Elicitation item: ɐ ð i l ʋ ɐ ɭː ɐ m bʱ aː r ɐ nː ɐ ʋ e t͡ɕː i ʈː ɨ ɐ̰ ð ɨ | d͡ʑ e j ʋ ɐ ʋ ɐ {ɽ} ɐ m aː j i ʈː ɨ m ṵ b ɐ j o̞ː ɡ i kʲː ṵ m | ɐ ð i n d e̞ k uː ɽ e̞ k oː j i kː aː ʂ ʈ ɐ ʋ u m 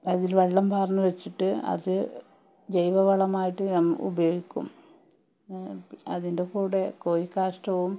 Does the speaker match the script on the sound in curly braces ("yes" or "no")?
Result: no